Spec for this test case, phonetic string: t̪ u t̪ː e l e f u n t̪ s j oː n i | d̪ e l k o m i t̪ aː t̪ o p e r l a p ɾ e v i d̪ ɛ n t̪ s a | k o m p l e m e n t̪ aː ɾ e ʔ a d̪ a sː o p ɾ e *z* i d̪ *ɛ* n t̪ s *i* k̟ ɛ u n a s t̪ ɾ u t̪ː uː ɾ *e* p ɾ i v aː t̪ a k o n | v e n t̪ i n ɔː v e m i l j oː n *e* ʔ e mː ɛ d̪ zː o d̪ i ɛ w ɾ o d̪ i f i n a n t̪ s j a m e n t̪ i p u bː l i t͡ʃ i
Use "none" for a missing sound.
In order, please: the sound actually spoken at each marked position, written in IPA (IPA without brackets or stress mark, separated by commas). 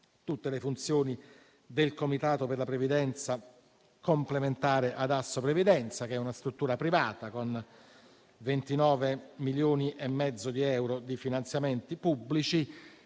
v, ɛ, a, a, i